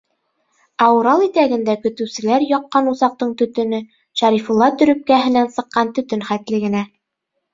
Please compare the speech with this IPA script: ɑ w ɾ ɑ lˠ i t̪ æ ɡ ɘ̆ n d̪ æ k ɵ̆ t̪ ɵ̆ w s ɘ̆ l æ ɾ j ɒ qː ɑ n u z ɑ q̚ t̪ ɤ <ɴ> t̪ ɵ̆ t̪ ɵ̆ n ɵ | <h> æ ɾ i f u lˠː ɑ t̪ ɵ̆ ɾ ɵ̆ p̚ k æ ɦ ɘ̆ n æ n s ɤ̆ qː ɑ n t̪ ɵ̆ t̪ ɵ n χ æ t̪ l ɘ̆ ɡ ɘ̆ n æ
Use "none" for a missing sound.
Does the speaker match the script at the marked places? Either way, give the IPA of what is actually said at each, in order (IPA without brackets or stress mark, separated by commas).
ɴ, ʃ